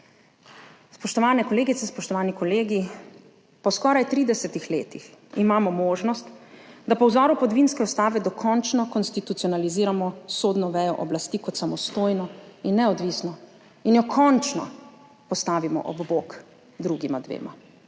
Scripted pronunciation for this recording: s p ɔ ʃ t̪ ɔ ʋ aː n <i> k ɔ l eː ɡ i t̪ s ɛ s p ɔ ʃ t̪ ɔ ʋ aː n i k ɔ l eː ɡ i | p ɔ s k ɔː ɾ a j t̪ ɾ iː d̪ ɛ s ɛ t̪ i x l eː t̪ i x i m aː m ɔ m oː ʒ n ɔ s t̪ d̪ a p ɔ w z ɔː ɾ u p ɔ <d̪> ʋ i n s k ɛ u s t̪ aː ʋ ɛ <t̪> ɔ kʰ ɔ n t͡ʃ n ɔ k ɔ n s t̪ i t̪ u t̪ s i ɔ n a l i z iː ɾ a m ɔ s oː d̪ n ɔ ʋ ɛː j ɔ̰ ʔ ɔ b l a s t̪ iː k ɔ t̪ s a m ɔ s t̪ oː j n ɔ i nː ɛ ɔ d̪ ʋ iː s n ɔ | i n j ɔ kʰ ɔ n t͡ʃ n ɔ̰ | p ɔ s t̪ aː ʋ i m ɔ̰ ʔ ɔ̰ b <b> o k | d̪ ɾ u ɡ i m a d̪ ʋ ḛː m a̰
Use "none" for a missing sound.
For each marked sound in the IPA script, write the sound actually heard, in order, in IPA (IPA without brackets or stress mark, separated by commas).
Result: ɛ, d̪, d̪, b